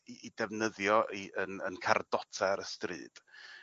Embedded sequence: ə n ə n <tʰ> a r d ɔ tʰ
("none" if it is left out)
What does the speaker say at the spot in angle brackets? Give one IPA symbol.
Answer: kʰ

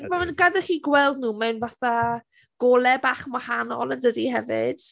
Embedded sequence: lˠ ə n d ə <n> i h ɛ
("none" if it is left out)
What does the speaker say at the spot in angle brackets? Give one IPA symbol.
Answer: d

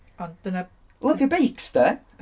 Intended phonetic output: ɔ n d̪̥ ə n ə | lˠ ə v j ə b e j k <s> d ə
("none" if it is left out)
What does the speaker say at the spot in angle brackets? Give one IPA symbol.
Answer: s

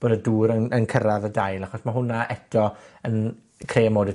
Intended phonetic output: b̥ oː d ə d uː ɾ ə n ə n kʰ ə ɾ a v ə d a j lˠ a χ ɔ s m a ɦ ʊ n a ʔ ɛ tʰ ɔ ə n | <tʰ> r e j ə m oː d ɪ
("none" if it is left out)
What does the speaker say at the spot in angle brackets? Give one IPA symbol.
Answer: kʰ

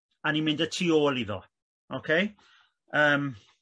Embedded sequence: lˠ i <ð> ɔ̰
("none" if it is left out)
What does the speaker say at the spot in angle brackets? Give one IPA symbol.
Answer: ð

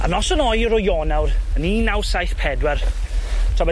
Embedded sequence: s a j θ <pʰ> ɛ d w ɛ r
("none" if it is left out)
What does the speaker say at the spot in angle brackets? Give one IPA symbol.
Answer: pʰ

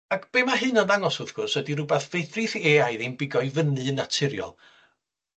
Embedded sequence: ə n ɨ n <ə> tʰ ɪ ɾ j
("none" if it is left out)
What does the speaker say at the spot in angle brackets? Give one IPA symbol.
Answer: a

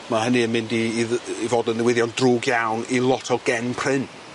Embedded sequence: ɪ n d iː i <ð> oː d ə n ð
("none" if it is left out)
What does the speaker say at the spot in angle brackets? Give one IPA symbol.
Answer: v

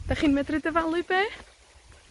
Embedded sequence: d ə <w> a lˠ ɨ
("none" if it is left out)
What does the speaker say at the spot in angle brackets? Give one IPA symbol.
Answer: v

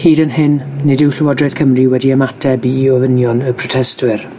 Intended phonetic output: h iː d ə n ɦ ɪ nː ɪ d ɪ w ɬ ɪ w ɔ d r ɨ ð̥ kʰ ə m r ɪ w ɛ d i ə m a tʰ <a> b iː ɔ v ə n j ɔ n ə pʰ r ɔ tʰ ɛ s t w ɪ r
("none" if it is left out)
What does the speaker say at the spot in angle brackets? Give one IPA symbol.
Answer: ɛ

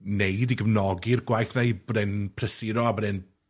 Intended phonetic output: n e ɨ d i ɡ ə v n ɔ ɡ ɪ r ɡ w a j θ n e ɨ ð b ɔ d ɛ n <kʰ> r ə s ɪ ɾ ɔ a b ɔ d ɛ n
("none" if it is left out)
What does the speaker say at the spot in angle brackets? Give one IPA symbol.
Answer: pʰ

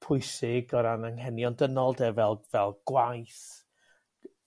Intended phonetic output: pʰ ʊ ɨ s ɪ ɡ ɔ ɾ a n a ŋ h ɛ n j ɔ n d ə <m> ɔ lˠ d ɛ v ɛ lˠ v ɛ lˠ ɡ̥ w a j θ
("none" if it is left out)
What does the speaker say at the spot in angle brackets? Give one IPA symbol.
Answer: n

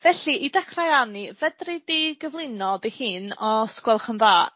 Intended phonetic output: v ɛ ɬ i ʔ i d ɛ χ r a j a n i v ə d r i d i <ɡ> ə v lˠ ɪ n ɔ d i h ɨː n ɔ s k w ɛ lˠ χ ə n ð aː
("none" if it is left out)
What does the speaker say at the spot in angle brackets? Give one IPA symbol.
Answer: ɡ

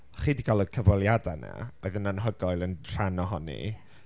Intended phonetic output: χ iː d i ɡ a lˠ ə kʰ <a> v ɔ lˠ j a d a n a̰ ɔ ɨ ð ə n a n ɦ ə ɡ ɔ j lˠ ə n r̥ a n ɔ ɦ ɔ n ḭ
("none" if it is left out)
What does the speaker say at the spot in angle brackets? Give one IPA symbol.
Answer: ə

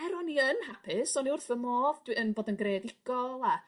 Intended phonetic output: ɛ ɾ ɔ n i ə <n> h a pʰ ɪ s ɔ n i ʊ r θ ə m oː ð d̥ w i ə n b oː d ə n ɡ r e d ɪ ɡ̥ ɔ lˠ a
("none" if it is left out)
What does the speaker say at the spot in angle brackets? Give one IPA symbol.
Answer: n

